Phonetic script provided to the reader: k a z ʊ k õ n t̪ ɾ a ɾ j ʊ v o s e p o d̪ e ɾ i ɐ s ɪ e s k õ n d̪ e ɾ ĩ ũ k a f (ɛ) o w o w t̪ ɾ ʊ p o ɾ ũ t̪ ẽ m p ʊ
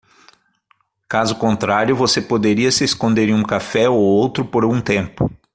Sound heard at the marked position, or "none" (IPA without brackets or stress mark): ɛ